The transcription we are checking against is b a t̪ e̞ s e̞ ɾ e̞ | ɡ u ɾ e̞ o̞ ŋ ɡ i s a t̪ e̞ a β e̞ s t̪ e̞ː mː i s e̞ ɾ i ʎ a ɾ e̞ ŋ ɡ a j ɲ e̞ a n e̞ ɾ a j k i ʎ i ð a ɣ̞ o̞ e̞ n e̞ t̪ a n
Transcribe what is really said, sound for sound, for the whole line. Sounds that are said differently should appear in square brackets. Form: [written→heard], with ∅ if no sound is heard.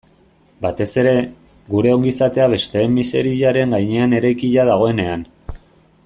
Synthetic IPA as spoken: b a t̪ e̞ s e̞ ɾ e̞ | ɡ u ɾ e̞ o̞ ŋ ɡ i s a t̪ e̞ a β e̞ s t̪ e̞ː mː i s e̞ ɾ i ʎ a ɾ e̞ ŋ ɡ a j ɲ e̞ a n e̞ ɾ a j k i ʎ [i→a] ð a ɣ̞ o̞ e̞ n e̞ [t̪→∅] a n